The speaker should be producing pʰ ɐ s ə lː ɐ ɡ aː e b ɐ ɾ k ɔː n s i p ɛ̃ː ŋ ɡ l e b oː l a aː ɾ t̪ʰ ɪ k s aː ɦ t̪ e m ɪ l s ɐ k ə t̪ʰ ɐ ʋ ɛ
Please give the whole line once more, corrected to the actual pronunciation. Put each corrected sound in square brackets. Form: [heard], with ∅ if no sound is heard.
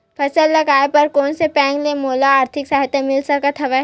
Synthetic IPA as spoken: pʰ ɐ s ə lː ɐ ɡ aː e [p] ɐ ɾ k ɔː n s [e] p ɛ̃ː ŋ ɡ l e [m] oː l a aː ɾ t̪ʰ ɪ k s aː ɦ t̪ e m ɪ l s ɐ k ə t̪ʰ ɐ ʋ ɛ